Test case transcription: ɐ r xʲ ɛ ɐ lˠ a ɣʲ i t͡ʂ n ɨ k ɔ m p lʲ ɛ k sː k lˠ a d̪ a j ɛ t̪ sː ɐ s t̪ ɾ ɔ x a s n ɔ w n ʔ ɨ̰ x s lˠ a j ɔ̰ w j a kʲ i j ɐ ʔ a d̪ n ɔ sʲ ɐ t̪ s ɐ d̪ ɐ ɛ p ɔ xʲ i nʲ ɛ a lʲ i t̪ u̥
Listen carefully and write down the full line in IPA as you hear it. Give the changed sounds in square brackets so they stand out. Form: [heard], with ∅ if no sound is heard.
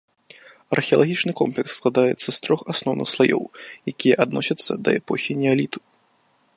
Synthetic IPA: ɐ r xʲ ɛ ɐ lˠ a ɣʲ i t͡ʂ n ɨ k ɔ m p lʲ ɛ k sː k lˠ a d̪ a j ɛ t̪ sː ɐ s t̪ ɾ ɔ x a s n ɔ w n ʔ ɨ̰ x s lˠ a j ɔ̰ w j a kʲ i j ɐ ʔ a d̪ n ɔ sʲ ɐ t̪ [sː] ɐ d̪ ɐ ɛ p ɔ xʲ i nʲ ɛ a lʲ i t̪ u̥